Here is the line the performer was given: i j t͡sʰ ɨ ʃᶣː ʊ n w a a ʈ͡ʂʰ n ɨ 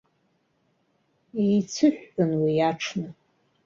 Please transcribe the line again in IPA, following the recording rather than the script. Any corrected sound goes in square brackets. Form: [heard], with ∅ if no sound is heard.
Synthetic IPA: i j t͡sʰ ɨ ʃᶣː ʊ n w [i] a ʈ͡ʂʰ n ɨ